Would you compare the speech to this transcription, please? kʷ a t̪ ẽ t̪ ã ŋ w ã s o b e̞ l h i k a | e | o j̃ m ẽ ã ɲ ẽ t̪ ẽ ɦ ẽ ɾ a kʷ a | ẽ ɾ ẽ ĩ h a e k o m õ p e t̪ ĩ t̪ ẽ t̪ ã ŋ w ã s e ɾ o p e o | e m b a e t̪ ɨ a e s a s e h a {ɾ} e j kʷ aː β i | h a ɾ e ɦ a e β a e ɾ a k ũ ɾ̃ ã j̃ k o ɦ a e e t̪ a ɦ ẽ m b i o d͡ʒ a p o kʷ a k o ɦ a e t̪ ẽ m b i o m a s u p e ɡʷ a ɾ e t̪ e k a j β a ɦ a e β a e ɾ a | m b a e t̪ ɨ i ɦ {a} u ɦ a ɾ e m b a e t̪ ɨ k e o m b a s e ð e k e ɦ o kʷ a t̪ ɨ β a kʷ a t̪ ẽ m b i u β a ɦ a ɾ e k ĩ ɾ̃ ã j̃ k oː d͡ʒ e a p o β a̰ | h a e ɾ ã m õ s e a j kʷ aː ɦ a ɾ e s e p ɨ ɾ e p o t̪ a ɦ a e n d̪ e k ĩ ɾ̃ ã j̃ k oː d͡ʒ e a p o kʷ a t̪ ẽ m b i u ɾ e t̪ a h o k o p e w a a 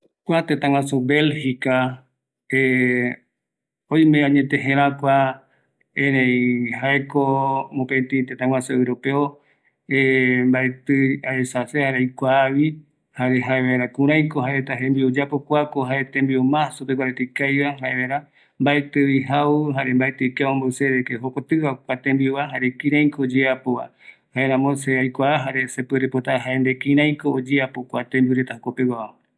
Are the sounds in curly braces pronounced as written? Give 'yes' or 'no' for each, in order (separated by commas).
yes, yes